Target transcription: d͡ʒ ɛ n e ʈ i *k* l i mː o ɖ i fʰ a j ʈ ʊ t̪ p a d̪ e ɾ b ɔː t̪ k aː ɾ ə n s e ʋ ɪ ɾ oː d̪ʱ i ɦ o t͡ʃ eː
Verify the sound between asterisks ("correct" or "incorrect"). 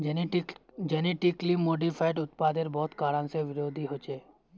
correct